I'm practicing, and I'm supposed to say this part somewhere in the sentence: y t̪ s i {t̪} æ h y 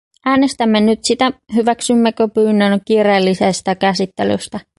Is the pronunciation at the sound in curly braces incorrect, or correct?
correct